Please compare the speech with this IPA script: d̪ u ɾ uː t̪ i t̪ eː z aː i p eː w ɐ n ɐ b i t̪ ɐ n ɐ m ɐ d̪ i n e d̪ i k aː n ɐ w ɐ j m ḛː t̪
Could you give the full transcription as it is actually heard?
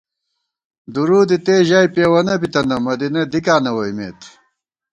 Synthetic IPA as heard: d̪ u ɾ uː d̪ i t̪ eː ʑ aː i p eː w ɐ n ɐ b i t̪ ɐ n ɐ m ɐ d̪ i n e d̪ i k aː n ɐ w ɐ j m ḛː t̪